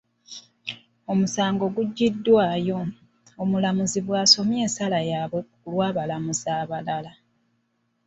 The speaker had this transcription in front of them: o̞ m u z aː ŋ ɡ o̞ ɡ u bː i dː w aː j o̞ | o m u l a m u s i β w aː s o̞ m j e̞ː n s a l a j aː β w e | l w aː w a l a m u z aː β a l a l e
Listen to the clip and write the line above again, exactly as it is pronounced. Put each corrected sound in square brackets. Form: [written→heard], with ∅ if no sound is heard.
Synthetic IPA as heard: o̞ m u [z→s] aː ŋ ɡ o̞ ɡ u [bː→ɟː] i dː w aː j o̞ | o m u l a m u [s→z] i β w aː s o̞ m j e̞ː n s a l a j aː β w e | l w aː [w→β] a l a m u z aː β a l a l [e→a]